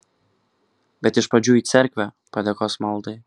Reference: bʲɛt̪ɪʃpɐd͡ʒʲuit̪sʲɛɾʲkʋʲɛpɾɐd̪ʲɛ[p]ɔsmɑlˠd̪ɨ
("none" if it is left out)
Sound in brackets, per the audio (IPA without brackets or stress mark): k